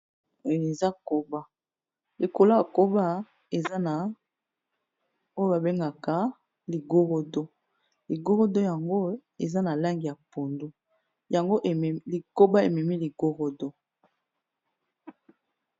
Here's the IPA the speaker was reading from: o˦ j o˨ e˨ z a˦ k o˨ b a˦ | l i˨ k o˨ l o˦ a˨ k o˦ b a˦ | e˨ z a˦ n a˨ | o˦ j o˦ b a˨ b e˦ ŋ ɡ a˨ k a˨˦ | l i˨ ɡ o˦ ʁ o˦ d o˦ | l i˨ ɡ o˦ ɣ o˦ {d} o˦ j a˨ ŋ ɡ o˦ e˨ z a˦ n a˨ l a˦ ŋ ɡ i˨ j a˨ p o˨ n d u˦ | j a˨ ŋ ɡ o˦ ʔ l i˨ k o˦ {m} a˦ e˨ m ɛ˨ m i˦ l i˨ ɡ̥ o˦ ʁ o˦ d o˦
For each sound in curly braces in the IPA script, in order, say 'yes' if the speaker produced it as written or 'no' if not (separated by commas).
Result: yes, no